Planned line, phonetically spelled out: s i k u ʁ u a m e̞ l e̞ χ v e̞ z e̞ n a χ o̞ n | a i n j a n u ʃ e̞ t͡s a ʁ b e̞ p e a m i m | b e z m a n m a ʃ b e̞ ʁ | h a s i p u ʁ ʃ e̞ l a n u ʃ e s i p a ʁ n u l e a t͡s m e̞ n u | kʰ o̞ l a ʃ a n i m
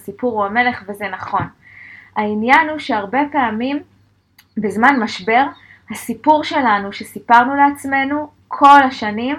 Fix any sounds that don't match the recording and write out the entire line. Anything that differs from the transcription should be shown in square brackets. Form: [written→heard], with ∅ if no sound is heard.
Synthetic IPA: s i [k→p] u ʁ u a m e̞ l e̞ χ v e̞ z e̞ n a χ o̞ n | a i n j a n u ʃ e̞ [t͡s→∅] a ʁ b e̞ p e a m i m | b e z m a n m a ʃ b e̞ ʁ | h a s i p u ʁ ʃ e̞ l a n u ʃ e s i p a ʁ n u l e a t͡s m e̞ n u | kʰ o̞ l a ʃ a n i m